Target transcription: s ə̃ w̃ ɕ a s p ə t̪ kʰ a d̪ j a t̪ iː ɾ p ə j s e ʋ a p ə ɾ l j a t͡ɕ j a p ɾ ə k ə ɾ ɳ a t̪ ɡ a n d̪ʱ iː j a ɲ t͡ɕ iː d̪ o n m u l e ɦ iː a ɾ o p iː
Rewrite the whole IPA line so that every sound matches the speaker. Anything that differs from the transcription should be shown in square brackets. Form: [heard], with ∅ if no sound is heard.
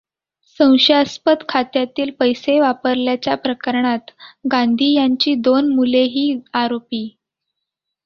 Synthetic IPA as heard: s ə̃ w̃ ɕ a s p ə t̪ kʰ a [t̪] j a t̪ iː [l] p ə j s e ʋ a p ə ɾ l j a t͡ɕ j a p ɾ ə k ə ɾ ɳ a t̪ ɡ a n d̪ʱ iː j a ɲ t͡ɕ iː d̪ o n m u l e ɦ iː a ɾ o p iː